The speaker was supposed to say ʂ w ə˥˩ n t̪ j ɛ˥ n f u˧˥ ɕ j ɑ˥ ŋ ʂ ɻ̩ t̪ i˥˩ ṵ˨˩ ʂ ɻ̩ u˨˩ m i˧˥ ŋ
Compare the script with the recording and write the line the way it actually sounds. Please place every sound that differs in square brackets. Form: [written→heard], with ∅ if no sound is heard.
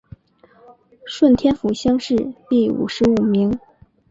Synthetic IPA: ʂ w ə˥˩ n [t̪→t̪ʰ] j ɛ˥ n f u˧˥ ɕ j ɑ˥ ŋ ʂ ɻ̩ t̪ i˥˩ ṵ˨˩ ʂ ɻ̩ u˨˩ m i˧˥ ŋ